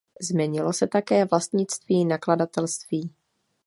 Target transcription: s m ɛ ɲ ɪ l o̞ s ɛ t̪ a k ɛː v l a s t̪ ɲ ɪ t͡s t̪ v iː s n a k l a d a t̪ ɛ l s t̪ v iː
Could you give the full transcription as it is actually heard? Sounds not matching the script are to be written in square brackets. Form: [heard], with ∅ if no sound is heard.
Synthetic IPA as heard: [z] m ɛ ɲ ɪ l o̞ s ɛ t̪ a k ɛː v l a s t̪ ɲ ɪ t͡s t̪ v iː [∅] n a k l a d a t̪ ɛ l s t̪ v iː